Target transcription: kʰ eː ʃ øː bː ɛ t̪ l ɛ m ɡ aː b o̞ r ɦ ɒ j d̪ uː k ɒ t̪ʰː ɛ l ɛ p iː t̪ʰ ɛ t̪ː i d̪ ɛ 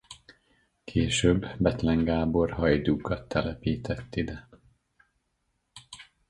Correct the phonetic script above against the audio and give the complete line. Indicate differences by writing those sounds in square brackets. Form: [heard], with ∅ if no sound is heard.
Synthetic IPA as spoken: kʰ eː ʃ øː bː ɛ t̪ l ɛ [ŋ] ɡ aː b o̞ r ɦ ɒ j d̪ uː k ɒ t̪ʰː ɛ l ɛ p iː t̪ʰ ɛ t̪ː i d̪ ɛ

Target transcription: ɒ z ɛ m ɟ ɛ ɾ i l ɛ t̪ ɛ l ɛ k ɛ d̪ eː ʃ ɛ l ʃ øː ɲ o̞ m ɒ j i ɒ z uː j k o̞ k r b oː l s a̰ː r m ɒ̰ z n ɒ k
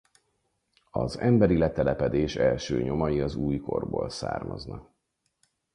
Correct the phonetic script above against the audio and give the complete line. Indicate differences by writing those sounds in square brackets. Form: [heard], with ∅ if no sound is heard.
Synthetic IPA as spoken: ɒ z ɛ m [b] ɛ ɾ i l ɛ t̪ ɛ l ɛ [p] ɛ d̪ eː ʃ ɛ l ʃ øː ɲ o̞ m ɒ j i ɒ z uː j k o̞ [∅] r b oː l s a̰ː r m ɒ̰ z n ɒ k

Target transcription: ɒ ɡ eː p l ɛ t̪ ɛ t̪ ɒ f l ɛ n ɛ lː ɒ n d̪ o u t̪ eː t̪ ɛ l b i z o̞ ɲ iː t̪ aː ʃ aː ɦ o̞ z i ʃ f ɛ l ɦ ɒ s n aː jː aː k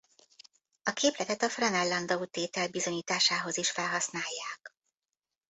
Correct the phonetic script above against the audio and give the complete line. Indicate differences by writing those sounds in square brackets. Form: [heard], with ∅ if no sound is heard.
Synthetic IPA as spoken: ɒ [k] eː p l ɛ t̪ ɛ t̪ ɒ f [r] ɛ n ɛ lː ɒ n d̪ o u t̪ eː t̪ ɛ l b i z o̞ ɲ iː t̪ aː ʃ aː ɦ o̞ z i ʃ f ɛ l ɦ ɒ s n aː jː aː k

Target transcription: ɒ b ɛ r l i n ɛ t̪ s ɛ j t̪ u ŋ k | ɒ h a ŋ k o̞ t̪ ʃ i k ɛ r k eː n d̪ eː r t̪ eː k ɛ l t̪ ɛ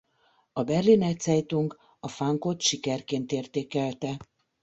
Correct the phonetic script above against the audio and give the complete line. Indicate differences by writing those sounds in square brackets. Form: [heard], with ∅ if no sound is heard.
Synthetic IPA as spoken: ɒ b ɛ r l i n ɛ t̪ s ɛ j t̪ u ŋ k | ɒ [f] a ŋ k o̞ t̪ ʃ i k ɛ r k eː n [t̪] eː r t̪ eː k ɛ l t̪ ɛ

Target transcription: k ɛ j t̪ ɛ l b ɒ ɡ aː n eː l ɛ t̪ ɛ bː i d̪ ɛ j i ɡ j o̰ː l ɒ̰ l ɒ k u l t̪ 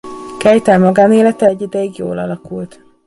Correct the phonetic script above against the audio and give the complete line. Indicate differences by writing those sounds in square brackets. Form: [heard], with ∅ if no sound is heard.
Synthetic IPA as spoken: k ɛ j t̪ ɛ l [m] ɒ ɡ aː n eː l ɛ t̪ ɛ [ɟː] i d̪ ɛ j i ɡ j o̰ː l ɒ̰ l ɒ k u l t̪

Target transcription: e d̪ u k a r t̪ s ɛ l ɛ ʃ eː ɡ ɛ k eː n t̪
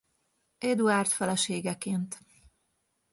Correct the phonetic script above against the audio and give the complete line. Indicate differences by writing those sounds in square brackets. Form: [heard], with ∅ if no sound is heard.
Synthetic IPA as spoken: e d̪ u [∅] a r t̪ [f] ɛ l ɛ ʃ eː ɡ ɛ k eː n t̪

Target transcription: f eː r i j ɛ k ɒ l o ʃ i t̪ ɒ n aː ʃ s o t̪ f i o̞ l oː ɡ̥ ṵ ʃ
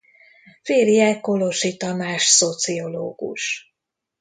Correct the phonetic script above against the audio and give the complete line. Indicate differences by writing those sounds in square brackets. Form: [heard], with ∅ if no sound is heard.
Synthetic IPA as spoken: f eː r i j ɛ k [o] l o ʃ i t̪ ɒ [m] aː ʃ s o t̪ [s] i o̞ l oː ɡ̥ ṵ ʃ

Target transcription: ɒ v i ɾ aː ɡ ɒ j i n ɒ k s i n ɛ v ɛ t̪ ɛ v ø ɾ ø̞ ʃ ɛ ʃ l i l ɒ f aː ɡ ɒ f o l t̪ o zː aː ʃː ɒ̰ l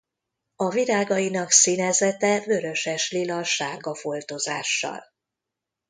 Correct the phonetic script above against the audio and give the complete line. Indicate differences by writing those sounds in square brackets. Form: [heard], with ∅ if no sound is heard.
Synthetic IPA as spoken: ɒ v i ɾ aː ɡ ɒ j i n ɒ k s i n ɛ [z] ɛ t̪ ɛ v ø ɾ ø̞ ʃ ɛ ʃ l i l ɒ [ʃ] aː ɡ ɒ f o l t̪ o [z] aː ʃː ɒ̰ l

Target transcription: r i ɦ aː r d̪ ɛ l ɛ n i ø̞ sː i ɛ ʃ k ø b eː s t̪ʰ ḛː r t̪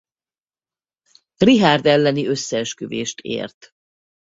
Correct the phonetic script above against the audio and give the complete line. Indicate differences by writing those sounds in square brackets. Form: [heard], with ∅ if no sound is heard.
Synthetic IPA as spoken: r i ɦ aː r d̪ ɛ [lː] ɛ n i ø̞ sː [ɛ] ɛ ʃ k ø [v] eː [ʃ] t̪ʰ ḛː r t̪

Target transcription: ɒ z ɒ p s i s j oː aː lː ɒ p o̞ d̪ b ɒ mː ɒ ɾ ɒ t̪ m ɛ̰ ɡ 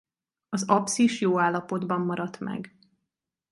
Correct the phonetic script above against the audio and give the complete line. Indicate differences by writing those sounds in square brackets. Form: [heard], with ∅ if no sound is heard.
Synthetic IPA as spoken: ɒ z ɒ p s i [ʃ] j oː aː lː ɒ p o̞ d̪ b ɒ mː ɒ ɾ ɒ t̪ m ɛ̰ ɡ

